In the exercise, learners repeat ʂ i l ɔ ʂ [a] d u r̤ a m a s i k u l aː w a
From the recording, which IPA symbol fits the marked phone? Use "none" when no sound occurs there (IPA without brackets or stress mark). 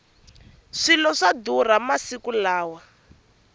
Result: a